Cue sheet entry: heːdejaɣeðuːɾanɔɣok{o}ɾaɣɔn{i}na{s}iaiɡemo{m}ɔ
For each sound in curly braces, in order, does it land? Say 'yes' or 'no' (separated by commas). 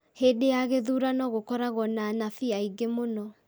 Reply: no, no, no, no